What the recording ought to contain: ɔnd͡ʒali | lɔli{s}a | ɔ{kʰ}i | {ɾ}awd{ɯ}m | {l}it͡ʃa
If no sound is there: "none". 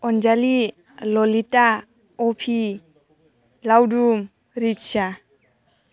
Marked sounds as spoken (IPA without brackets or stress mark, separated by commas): t, pʰ, l, u, ɾ